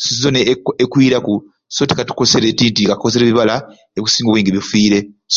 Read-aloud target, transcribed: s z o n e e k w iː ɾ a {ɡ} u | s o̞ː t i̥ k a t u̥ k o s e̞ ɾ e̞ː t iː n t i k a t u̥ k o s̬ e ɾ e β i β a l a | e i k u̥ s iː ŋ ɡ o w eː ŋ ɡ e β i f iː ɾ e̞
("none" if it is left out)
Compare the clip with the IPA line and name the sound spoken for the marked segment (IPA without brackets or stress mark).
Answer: k